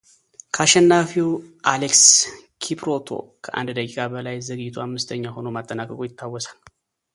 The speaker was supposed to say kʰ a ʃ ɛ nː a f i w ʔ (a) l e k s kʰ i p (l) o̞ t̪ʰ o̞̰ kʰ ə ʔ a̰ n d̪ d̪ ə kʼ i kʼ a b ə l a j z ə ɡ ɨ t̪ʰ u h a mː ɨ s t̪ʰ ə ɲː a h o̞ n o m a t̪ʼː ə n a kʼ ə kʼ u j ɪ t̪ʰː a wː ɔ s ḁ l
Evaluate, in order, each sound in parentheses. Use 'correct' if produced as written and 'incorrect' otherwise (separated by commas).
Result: correct, incorrect